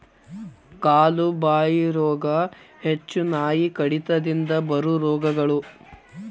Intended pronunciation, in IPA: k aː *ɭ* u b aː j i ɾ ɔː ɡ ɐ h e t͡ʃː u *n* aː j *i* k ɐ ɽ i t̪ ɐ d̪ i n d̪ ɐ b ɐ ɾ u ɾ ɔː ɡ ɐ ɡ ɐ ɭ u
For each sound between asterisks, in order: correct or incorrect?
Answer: incorrect: l, correct, correct

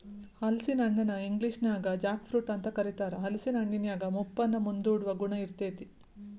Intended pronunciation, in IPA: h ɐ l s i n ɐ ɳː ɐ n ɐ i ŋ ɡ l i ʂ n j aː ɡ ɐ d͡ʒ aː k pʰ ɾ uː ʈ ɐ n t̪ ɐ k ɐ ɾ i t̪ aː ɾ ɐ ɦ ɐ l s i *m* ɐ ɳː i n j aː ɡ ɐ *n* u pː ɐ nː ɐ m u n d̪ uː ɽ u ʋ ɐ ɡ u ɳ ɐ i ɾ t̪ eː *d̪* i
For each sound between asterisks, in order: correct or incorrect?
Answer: incorrect: n, incorrect: m, incorrect: t̪

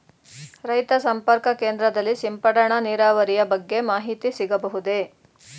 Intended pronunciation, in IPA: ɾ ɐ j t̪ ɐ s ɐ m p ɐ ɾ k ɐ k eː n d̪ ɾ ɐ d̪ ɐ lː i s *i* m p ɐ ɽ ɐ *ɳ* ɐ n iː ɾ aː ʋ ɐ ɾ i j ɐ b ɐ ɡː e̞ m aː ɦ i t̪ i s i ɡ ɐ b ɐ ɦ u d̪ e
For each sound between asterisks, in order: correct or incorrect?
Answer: correct, correct

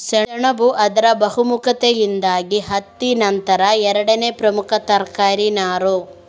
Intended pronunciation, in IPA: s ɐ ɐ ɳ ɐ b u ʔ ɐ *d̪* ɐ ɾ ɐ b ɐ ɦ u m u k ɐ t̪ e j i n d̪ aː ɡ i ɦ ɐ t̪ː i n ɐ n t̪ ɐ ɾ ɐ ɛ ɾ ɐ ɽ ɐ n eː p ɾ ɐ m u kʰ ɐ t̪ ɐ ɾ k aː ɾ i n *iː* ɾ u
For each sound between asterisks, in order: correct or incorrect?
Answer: correct, incorrect: aː

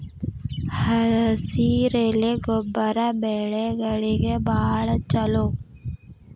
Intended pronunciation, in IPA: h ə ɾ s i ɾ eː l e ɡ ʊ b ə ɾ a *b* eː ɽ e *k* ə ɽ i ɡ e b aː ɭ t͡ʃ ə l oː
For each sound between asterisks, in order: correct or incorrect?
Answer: correct, incorrect: ɡ

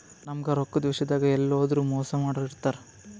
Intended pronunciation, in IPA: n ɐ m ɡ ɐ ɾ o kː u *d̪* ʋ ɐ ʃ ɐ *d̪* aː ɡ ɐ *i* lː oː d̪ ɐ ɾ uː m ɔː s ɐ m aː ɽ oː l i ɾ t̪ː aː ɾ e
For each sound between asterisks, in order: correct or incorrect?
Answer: correct, correct, incorrect: ɛ

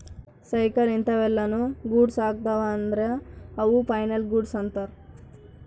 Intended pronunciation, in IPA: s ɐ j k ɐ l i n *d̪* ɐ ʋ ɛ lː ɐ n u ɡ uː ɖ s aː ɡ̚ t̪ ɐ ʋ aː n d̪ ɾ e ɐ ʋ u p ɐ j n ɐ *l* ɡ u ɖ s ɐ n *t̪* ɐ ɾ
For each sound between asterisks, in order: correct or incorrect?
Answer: incorrect: t̪, correct, correct

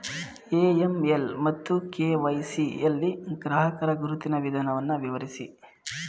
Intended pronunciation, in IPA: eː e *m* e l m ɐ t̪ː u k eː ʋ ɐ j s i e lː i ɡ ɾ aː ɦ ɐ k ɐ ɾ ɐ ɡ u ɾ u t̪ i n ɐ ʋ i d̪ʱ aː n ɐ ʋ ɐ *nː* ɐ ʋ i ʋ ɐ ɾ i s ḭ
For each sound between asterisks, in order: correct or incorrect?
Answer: correct, correct

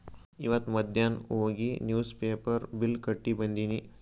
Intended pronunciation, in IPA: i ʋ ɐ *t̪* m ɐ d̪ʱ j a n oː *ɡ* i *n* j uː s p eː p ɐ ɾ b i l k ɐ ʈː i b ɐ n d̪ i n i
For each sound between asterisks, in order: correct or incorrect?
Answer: correct, correct, correct

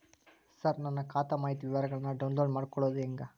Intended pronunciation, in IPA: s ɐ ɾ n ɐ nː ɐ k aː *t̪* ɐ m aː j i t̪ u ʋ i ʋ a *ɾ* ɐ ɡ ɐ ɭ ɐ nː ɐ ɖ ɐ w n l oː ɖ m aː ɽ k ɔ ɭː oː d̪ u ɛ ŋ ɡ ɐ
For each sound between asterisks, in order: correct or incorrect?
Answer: correct, correct

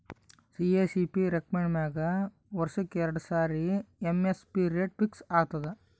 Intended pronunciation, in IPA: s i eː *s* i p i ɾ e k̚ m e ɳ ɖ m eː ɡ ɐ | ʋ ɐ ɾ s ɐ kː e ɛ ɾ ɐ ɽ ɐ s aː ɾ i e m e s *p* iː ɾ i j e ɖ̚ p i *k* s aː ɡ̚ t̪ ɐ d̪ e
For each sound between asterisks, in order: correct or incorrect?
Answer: correct, correct, correct

